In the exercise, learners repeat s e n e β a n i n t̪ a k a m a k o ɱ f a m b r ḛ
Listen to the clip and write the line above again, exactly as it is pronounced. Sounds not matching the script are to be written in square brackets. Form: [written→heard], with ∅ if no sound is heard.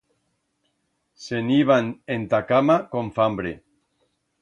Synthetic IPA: s e n [e→i] β a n [i→e] n t̪ a k a m a k o ɱ f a m b [r→ɾ] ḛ